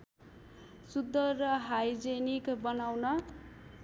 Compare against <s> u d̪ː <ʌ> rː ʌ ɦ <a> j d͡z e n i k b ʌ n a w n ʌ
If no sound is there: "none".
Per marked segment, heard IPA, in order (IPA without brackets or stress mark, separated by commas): s, ʌ, a